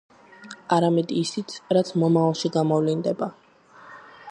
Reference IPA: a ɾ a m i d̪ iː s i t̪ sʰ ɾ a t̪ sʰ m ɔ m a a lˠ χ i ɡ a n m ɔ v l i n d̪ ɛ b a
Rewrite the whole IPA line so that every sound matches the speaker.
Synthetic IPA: a ɾ a m ɛ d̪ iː s i t̪ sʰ ɾ a t̪ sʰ m ɔ m a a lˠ ʃ i ɡ a m ɔ v l i n d̪ ɛ b a